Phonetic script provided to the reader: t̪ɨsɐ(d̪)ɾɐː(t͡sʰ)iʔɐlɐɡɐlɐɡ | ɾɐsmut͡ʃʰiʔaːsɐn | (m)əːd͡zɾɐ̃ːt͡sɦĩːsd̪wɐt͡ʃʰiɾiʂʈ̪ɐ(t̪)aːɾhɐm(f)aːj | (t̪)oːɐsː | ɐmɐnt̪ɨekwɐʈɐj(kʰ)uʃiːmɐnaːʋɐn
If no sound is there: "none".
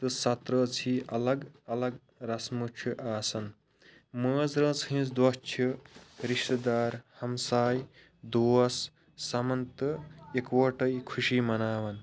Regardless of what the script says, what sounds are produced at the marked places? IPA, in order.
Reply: t̪, t͡sʰ, m, d̪, s, d̪, kʰ

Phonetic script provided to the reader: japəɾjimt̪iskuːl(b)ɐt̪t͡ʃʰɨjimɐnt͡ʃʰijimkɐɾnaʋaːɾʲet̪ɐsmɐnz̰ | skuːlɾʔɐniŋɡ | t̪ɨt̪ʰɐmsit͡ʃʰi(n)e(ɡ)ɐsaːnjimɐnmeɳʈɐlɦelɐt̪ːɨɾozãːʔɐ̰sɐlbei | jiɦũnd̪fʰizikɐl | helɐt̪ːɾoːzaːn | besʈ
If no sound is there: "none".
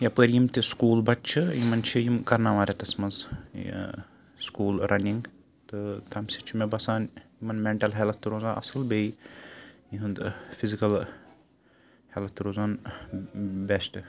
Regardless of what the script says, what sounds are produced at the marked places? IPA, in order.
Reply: b, m, b

